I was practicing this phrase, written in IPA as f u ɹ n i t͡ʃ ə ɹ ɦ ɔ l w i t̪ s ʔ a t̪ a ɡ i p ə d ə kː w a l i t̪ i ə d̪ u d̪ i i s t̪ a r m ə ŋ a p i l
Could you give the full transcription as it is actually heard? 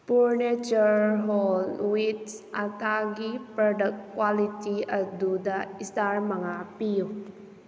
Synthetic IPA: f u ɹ n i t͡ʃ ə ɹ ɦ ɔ l w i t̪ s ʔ a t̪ a ɡ i p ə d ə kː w a l i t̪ i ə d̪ u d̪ a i s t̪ a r m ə ŋ a p i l